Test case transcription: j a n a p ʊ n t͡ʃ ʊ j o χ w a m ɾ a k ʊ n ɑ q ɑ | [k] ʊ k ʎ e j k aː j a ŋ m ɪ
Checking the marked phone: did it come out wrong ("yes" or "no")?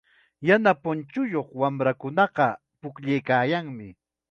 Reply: yes